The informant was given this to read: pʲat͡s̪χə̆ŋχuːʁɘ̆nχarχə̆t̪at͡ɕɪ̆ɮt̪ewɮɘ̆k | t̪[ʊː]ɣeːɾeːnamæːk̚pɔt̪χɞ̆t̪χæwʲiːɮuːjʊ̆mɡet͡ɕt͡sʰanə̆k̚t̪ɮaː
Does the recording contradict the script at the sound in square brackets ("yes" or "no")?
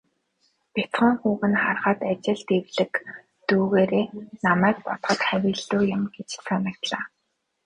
yes